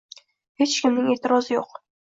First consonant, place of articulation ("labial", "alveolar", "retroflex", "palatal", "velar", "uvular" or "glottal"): glottal